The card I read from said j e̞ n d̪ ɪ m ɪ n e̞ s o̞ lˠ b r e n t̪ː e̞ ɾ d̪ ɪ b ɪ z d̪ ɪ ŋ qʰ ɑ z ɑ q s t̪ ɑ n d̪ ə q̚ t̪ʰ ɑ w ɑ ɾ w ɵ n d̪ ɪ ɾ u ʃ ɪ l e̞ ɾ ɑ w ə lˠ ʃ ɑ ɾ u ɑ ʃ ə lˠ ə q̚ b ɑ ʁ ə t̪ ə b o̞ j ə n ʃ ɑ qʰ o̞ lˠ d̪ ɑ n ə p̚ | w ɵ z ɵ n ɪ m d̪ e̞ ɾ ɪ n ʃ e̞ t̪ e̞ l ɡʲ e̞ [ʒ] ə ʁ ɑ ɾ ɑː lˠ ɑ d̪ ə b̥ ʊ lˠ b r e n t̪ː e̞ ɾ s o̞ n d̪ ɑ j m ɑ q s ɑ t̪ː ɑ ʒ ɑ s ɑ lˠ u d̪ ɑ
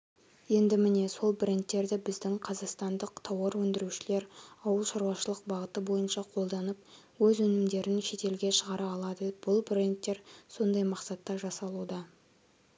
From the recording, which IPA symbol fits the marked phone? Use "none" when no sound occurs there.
ʃ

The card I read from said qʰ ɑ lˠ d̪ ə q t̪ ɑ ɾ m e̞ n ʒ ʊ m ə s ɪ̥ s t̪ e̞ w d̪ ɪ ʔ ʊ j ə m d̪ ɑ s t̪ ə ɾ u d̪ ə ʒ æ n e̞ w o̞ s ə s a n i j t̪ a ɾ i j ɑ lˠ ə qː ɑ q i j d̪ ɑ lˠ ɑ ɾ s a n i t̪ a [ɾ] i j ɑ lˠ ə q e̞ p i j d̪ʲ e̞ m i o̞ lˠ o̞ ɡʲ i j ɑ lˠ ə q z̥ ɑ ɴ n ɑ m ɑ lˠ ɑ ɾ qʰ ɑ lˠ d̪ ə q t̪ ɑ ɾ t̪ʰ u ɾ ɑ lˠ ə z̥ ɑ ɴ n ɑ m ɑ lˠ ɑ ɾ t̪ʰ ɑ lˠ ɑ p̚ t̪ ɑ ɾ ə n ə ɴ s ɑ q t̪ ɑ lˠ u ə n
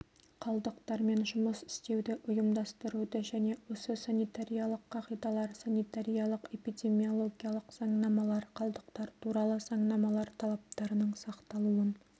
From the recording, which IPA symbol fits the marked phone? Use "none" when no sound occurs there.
ɾ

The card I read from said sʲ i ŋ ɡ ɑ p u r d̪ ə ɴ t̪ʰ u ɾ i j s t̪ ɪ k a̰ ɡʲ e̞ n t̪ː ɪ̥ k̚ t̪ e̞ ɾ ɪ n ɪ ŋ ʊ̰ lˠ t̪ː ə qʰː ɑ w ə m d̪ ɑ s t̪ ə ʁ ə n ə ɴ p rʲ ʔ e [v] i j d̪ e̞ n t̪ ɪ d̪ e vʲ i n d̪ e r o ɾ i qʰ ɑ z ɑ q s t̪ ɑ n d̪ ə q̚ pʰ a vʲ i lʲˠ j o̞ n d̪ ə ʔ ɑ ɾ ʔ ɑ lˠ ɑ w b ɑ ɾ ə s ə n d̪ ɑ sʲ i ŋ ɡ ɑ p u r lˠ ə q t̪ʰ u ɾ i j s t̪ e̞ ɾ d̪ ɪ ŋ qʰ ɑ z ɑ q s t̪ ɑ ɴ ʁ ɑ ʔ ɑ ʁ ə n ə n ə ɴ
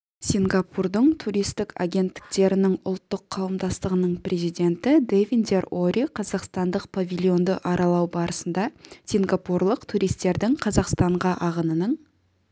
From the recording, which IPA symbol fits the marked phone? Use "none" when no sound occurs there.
z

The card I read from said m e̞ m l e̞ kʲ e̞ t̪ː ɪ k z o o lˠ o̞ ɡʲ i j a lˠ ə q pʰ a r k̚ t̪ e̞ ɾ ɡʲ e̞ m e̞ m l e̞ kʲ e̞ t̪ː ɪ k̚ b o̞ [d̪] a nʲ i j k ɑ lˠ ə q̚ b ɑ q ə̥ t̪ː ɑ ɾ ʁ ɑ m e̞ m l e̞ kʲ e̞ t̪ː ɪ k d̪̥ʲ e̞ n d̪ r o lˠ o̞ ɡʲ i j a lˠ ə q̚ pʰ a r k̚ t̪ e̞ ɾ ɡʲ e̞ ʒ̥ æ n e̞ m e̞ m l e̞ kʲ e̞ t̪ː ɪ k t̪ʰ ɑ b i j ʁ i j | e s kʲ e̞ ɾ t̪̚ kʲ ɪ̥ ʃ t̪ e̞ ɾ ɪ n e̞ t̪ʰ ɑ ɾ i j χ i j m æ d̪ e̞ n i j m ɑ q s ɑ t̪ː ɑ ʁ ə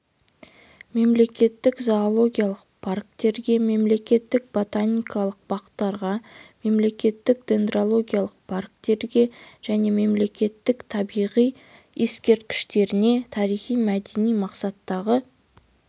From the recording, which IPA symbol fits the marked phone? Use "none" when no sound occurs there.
t̪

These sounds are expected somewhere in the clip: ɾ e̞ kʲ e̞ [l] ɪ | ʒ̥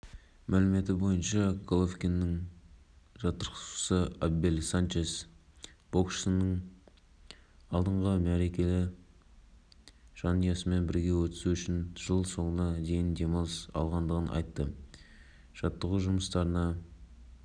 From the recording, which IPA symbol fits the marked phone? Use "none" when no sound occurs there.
l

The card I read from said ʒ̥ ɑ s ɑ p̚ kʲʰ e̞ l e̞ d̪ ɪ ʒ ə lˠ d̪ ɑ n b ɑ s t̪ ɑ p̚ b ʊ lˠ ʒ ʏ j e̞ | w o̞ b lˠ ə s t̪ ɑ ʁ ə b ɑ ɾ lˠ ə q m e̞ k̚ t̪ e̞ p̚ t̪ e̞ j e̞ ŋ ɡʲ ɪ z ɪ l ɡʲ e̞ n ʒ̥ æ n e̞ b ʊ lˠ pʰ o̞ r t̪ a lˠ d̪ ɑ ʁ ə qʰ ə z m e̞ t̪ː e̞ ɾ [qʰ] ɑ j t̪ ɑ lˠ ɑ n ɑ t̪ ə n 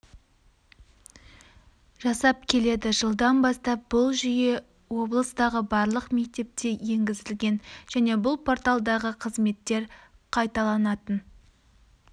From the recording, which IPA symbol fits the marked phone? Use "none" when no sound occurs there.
qʰ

